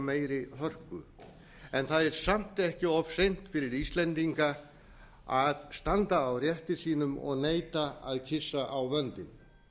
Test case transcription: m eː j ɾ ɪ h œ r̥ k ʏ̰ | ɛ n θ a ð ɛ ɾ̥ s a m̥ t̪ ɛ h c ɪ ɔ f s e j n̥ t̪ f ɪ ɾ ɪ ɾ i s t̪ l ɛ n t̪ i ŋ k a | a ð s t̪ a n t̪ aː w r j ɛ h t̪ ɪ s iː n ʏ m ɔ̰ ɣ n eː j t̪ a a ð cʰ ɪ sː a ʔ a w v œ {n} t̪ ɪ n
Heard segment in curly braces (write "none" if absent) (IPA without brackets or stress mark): n